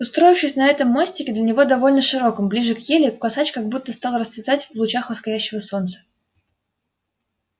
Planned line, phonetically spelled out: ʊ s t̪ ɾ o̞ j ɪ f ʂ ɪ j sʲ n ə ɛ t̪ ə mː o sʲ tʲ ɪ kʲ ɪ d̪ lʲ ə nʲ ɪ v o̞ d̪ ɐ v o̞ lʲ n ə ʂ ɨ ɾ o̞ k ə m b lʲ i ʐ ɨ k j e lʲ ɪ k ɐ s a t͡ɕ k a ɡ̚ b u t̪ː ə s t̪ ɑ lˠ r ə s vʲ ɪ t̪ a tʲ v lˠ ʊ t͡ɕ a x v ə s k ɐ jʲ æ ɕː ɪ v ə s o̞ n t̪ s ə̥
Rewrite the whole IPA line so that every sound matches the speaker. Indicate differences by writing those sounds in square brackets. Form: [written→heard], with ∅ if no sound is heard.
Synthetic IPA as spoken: ʊ s t̪ ɾ o̞ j ɪ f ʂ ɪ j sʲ n [ə→ɐ] ɛ t̪ ə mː o sʲ tʲ ɪ kʲ ɪ d̪ lʲ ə nʲ ɪ v o̞ d̪ ɐ v o̞ lʲ n ə ʂ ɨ ɾ o̞ k ə m b lʲ i ʐ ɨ k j e lʲ ɪ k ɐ s a t͡ɕ k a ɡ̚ b u t̪ː ə s t̪ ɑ lˠ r ə s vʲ ɪ t̪ a tʲ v lˠ ʊ t͡ɕ a x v ə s k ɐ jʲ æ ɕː ɪ v ə s o̞ n t̪ s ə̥